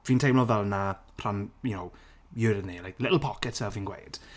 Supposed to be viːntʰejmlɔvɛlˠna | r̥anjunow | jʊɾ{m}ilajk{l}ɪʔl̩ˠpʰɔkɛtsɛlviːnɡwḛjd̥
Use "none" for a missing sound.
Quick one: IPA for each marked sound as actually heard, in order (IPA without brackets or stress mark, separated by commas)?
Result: n, l